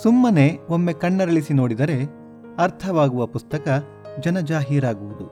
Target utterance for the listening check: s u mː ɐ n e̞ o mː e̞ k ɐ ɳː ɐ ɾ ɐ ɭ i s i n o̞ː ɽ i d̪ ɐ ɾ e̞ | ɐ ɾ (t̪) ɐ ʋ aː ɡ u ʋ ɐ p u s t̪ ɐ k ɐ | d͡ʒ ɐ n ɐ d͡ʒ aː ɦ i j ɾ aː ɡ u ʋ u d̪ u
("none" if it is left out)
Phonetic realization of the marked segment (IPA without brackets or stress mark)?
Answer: t̪ʰ